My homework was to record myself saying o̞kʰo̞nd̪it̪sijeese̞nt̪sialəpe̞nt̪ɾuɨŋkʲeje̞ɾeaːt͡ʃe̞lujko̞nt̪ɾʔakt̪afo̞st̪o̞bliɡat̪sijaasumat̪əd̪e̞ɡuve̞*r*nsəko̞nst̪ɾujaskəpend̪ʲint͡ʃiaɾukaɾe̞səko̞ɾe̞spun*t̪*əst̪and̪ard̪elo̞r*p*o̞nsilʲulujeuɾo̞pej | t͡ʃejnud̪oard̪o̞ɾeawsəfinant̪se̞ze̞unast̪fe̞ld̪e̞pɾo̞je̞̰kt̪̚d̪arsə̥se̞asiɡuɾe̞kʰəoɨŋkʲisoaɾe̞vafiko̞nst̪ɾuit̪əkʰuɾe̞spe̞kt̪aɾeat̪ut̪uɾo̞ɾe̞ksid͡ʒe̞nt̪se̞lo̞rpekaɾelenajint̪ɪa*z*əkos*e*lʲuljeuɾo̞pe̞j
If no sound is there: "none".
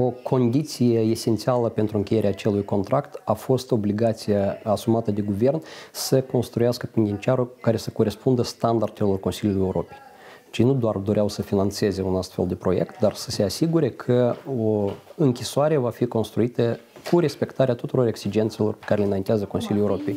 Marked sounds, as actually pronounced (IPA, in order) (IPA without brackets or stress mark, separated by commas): r, d̪, k, z, i